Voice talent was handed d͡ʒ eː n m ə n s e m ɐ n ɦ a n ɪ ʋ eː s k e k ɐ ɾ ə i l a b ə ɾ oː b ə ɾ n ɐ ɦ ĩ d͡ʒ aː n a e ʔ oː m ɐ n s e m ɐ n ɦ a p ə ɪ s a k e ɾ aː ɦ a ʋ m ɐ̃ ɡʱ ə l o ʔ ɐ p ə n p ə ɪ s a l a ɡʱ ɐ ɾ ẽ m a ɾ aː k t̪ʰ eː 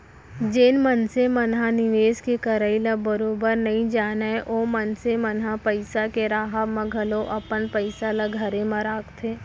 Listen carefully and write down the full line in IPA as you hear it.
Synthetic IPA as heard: d͡ʒ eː n m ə n s e m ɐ n ɦ a n ɪ ʋ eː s k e k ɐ ɾ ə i l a b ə ɾ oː b ə ɾ n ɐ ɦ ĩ d͡ʒ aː n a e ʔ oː m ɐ n s e m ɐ n ɦ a p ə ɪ s a k e ɾ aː ɦ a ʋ m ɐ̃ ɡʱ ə l o ʔ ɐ p ə n p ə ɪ s a l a ɡʱ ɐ ɾ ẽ m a ɾ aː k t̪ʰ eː

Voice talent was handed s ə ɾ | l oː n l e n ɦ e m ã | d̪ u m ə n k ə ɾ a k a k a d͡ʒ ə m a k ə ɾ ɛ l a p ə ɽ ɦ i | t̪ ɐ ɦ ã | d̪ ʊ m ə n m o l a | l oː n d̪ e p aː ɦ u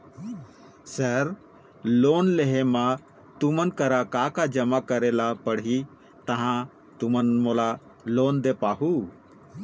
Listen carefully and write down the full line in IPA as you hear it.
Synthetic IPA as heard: s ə ɾ | l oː n l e ɦ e m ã | t̪ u m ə n k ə ɾ a k a k a d͡ʒ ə m a k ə ɾ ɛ l a p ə ɽ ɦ i | t̪ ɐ ɦ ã | t̪ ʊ m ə n m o l a | l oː n d̪ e p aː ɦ u

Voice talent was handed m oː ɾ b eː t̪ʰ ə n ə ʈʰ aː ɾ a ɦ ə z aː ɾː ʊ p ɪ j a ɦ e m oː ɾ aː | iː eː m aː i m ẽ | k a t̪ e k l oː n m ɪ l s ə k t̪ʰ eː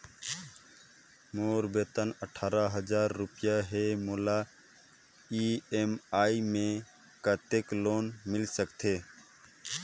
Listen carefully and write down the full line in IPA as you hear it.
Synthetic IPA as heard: m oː ɾ b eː t̪ ə n ə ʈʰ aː ɾ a ɦ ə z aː ɾː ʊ p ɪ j a ɦ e m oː l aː | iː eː m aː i m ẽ | k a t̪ e k l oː n m ɪ l s ə k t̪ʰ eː

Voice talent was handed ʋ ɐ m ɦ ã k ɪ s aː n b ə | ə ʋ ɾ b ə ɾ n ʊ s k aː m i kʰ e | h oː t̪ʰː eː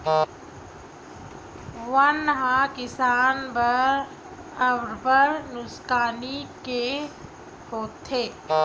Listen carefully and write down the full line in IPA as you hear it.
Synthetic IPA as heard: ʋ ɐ n ɦ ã k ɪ s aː n b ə | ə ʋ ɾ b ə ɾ n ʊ s k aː n i k e | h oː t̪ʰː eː

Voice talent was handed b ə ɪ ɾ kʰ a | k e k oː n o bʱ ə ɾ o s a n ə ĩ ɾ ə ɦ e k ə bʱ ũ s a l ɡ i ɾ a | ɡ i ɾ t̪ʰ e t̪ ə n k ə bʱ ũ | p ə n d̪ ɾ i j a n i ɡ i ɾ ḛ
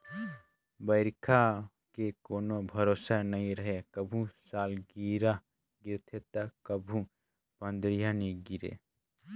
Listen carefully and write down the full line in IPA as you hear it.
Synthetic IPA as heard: b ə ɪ ɾ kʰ a | k e k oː n o bʱ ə ɾ o s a n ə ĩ ɾ ə ɦ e k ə bʱ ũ s a l ɡ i ɾ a | ɡ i ɾ t̪ʰ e t̪ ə k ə bʱ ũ | p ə n d̪ ɾ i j a n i ɡ i ɾ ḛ

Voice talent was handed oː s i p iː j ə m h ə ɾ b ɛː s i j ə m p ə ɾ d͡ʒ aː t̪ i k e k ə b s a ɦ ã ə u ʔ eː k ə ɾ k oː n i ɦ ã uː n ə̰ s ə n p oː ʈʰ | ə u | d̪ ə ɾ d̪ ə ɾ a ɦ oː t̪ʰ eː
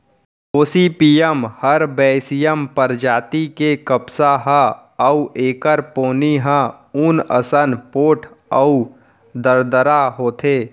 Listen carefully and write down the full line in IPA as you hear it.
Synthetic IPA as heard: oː s i p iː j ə m h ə ɾ b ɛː s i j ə m p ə ɾ d͡ʒ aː t̪ i k e k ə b s a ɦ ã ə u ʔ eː k ə ɾ p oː n i ɦ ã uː n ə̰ s ə n p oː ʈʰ | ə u | d̪ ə ɾ d̪ ə ɾ a ɦ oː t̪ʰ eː

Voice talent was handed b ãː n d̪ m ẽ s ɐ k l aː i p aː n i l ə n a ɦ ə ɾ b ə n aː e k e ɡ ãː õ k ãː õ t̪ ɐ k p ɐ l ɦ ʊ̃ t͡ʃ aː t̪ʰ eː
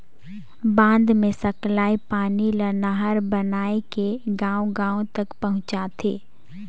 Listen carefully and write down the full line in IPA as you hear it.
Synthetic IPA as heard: b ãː n d̪ m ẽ s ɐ k l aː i p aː n i l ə n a ɦ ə ɾ b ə n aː e k e ɡ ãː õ ɡ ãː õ t̪ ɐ k p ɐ ɦ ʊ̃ t͡ʃ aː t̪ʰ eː

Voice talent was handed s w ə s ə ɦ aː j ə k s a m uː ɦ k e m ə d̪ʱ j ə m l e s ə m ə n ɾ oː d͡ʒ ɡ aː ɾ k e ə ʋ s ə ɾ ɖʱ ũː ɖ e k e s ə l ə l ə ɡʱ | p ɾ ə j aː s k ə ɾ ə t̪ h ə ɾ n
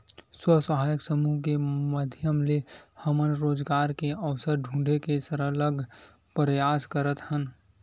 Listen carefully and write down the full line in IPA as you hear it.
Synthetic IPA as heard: s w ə s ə ɦ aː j ə k s ə m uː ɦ k e m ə d̪ʱ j ə m l e h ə m ə n ɾ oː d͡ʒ ɡ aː ɾ k e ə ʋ s ə ɾ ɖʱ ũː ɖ e k e s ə ɾ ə l ə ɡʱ | p ɾ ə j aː s k ə ɾ ə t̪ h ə n

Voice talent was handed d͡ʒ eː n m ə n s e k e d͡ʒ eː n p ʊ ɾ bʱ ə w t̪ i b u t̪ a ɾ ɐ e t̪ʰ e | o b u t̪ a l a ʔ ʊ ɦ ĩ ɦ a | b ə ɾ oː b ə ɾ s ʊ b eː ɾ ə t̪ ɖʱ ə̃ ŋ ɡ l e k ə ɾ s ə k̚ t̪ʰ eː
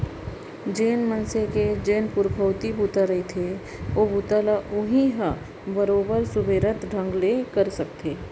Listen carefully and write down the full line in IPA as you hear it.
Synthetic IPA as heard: d͡ʒ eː n m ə n s e k e d͡ʒ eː n p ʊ ɾ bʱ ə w t̪ i b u t̪ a ɾ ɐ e t̪ʰ e | o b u t̪ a l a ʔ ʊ ɦ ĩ ɦ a | b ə ɾ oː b ə ɾ s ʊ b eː ɾ ə t̪ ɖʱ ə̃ ŋ ɡ l e k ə ɾ s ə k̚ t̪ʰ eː

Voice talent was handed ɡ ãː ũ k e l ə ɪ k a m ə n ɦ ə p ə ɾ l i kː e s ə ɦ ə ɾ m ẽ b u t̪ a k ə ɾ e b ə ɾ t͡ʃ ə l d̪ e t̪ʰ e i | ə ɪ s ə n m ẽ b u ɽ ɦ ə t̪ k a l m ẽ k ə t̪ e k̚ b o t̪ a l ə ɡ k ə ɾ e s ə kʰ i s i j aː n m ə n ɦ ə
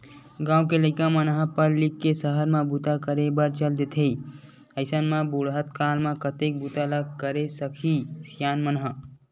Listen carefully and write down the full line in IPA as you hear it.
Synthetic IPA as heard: ɡ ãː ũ k e l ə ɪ k a m ə n ɦ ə p ə ɾ l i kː e s ə ɦ ə ɾ m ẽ b u t̪ a k ə ɾ e b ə ɾ t͡ʃ ə l d̪ e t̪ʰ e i | ə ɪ s ə n m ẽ b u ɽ ɦ ə t̪ k a l m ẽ k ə t̪ e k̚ b u t̪ a l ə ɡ k ə ɾ e s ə kʰ i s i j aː n m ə n ɦ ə

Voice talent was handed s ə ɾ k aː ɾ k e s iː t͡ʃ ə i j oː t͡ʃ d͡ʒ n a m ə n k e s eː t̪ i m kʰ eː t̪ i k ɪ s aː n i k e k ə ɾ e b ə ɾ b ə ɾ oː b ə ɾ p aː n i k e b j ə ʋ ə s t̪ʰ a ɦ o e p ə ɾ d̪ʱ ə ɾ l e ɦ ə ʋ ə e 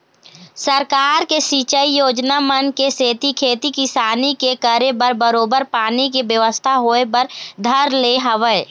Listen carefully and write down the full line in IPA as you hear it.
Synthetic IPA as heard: s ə ɾ k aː ɾ k e s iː t͡ʃ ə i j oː d͡ʒ n a m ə n k e s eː t̪ i kʰ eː t̪ i k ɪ s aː n i k e k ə ɾ e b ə ɾ b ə ɾ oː b ə ɾ p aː n i k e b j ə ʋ ə s t̪ʰ a ɦ o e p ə ɾ d̪ʱ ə ɾ l e ɦ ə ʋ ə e

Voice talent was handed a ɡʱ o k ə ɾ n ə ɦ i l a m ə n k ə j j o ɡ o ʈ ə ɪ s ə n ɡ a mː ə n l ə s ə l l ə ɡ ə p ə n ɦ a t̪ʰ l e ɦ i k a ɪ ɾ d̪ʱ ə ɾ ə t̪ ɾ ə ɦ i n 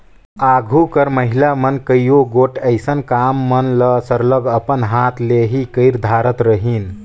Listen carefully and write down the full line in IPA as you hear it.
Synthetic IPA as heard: a ɡʱ u k ə ɾ m ə ɦ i l a m ə n k ə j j o ɡ o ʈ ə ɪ s ə n k a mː ə n l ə s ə ɾ l ə ɡ ə p ə n ɦ a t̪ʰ l e ɦ i k ə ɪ ɾ d̪ʱ a ɾ ə t̪ ɾ ə ɦ i n

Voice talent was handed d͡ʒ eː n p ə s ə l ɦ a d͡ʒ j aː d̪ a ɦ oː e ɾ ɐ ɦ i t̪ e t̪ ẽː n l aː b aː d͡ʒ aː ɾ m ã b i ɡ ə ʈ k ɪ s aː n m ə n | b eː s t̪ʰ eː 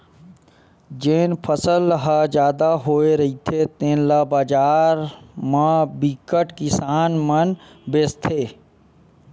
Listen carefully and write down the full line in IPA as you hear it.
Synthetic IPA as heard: d͡ʒ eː n pʰ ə s ə l ɦ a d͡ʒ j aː d̪ a ɦ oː e ɾ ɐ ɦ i t̪ʰ e t̪ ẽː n l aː b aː d͡ʒ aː ɾ m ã b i k ə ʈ k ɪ s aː n m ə n | b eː s t̪ʰ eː

